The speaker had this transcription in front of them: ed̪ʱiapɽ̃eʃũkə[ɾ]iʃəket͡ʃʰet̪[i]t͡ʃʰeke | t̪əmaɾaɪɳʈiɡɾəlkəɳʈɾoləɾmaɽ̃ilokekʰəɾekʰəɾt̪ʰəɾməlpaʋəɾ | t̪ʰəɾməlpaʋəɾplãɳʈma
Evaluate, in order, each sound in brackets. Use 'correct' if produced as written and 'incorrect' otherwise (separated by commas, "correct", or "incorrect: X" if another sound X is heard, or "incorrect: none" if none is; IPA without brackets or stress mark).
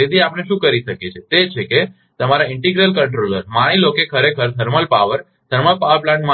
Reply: correct, incorrect: e